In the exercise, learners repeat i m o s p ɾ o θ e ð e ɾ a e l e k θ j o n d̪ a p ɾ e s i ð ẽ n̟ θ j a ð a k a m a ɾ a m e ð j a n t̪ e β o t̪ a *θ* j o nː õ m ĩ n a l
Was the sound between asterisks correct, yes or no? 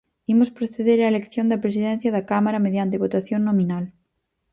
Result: yes